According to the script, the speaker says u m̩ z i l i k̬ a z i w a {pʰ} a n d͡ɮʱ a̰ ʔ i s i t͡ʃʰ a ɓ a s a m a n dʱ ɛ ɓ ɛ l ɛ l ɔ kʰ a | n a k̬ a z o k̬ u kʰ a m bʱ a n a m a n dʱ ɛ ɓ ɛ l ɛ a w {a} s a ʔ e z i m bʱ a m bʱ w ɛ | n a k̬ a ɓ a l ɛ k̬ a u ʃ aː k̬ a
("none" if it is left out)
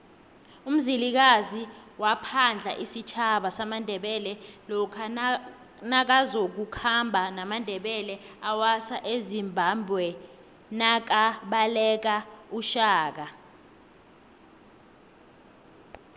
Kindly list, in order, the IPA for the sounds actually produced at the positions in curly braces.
pʰ, a

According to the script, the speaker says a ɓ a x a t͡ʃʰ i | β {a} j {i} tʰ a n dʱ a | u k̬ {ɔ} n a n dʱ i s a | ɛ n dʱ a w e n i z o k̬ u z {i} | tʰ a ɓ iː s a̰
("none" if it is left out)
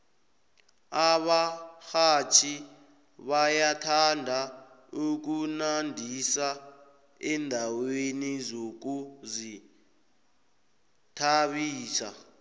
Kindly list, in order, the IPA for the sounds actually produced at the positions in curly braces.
a, a, u, i

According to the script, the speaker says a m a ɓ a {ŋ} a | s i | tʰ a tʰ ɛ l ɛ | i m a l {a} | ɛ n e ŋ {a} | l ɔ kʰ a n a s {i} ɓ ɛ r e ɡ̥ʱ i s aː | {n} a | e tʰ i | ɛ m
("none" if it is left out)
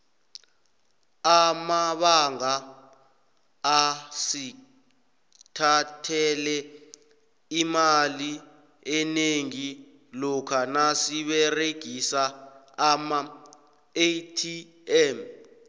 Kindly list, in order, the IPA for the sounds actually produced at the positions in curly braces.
ŋ, i, i, i, m

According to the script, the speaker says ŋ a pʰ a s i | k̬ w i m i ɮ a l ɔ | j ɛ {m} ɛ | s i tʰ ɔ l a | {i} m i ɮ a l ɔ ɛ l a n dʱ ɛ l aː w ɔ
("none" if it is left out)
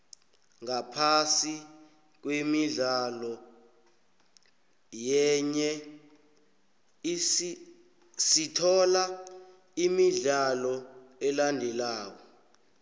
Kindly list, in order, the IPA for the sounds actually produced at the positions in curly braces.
ɲ, i

